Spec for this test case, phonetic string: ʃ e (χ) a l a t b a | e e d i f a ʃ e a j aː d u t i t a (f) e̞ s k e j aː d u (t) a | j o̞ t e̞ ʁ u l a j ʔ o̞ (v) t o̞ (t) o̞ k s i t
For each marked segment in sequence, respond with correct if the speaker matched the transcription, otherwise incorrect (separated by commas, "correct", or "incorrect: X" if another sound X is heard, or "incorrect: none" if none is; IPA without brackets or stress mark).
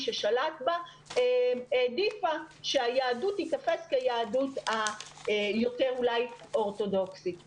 incorrect: ʃ, correct, correct, incorrect: ʁ, incorrect: d